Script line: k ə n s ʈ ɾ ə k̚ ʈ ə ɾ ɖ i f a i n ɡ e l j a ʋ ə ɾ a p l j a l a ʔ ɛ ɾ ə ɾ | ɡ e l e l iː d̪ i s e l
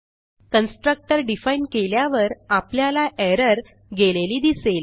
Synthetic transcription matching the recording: k ə n s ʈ ɾ ə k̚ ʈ ə ɾ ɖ i f a i n k e l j a ʋ ə ɾ a p l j a l a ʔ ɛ ɾ ə ɾ | ɡ e l e l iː d̪ i s e l

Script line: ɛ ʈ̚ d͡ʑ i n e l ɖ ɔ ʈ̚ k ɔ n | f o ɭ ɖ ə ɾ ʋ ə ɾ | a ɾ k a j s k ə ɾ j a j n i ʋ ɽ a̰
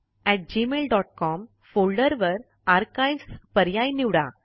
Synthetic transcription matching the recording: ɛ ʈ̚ d͡ʑ i m e l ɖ ɔ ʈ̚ k ɔ m | f o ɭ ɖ ə ɾ ʋ ə ɾ | a ɾ k a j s p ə ɾ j a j n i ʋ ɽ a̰

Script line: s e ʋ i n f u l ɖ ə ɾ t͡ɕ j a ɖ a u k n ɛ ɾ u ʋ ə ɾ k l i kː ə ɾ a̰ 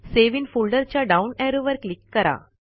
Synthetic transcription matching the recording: s e ʋ i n f u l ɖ ə ɾ t͡ɕ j a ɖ a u n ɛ ɾ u ʋ ə ɾ k l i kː ə ɾ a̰

